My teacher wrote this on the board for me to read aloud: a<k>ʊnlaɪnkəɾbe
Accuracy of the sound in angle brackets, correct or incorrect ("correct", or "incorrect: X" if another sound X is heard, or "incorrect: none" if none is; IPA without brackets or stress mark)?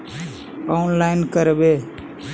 incorrect: none